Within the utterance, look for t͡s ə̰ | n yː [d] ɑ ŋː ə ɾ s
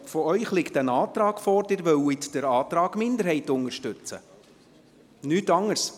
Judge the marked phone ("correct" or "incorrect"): incorrect